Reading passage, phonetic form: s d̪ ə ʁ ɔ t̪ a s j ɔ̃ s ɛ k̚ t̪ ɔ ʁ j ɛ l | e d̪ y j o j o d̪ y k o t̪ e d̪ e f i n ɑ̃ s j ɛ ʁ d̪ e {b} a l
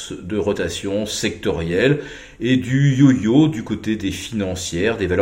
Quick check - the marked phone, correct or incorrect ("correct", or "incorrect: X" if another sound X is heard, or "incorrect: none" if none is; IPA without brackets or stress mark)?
incorrect: v